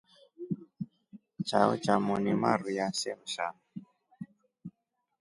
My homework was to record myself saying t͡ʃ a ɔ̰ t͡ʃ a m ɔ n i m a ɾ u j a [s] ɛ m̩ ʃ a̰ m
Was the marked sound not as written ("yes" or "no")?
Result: no